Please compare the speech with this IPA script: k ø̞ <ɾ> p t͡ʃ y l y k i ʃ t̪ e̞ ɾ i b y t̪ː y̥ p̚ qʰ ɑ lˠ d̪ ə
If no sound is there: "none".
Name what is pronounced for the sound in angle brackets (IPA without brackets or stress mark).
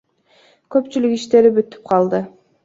none